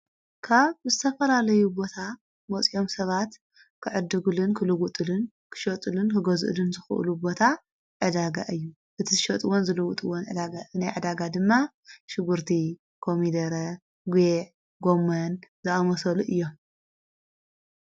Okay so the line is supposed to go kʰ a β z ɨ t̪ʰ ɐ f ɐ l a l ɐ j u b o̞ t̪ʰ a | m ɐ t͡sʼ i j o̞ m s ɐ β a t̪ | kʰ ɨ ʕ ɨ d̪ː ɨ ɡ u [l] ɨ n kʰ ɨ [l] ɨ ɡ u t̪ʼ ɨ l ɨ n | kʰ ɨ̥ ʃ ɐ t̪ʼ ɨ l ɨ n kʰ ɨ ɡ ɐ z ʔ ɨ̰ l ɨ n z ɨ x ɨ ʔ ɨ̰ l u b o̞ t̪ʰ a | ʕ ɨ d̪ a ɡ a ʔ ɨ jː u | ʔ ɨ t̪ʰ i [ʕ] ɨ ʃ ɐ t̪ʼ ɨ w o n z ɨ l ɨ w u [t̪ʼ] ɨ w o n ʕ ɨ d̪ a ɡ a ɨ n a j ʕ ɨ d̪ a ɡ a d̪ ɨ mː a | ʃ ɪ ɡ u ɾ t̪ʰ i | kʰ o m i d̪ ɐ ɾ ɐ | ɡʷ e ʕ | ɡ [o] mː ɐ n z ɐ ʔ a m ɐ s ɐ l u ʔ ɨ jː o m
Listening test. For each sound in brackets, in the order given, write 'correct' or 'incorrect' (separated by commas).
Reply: correct, correct, incorrect, correct, correct